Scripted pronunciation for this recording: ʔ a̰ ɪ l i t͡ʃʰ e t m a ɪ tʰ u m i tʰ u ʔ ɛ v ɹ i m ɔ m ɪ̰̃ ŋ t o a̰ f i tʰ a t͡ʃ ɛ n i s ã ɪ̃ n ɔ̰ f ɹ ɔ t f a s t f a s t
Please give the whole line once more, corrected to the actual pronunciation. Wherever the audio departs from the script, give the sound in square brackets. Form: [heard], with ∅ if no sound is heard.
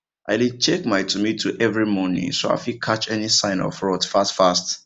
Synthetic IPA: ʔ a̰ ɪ l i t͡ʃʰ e [k] m a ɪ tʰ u m i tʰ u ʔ ɛ v ɹ i m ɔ [n] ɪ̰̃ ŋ [s] o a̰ f i [kʰ] a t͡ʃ ɛ n i s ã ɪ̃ n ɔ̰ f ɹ ɔ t f a s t f a s t